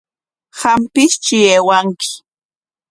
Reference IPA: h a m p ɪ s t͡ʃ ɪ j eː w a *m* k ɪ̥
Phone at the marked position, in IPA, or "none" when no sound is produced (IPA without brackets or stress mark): ŋ